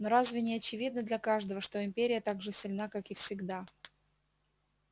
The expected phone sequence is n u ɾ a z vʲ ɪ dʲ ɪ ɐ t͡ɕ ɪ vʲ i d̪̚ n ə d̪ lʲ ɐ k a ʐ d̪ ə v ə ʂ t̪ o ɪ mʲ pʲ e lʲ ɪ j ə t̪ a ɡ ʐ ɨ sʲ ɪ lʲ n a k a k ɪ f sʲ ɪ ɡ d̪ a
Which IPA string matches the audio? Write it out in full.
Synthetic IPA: n o ɾ a z vʲ ɪ nʲ ɪ ɐ t͡ɕ ɪ vʲ i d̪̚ n ə d̪ lʲ ɐ k a ʐ d̪ ə v ə ʂ t̪ o ɪ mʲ pʲ e ɾʲ ɪ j ə t̪ a ɡ ʐ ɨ sʲ ɪ lʲ n a k a k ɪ f sʲ ɪ ɡ d̪ a